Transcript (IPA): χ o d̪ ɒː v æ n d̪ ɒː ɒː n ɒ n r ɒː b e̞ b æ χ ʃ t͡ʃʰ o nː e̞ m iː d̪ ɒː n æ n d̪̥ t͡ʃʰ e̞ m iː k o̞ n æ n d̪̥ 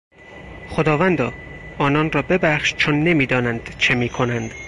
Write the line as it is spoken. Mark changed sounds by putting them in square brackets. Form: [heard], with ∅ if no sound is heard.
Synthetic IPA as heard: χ o d̪ ɒː v æ n d̪ ɒː ɒː n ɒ n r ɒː b e̞ b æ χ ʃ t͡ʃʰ o nː e̞ m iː d̪ ɒː n æ n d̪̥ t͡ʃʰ e̞ m iː [kʰ] o̞ n æ n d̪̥